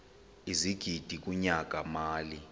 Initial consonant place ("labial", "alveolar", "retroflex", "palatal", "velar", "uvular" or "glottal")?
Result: alveolar